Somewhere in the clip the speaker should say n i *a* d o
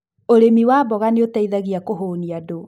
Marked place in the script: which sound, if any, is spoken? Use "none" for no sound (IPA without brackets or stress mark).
a